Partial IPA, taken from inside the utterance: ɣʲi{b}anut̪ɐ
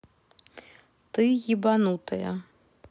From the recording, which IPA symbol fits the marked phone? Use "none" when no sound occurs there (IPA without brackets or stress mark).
b